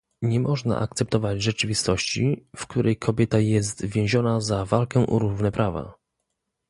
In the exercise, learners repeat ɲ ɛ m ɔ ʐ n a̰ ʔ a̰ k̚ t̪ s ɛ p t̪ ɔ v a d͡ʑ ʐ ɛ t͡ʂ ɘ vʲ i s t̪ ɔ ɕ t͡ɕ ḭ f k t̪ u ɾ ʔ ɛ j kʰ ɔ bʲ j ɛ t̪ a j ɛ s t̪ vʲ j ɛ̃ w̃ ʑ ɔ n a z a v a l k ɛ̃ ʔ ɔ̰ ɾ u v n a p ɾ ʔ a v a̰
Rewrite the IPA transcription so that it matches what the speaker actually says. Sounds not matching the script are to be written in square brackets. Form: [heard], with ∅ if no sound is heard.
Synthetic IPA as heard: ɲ ɛ m ɔ ʐ n a̰ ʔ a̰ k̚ t̪ s ɛ p t̪ ɔ v a d͡ʑ ʐ ɛ t͡ʂ ɘ vʲ i s t̪ ɔ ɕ t͡ɕ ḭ f k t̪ u ɾ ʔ ɛ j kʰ ɔ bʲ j ɛ t̪ a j ɛ s t̪ vʲ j ɛ̃ w̃ ʑ ɔ n a z a v a l k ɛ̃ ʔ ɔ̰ ɾ u v n [ɛ] p ɾ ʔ a v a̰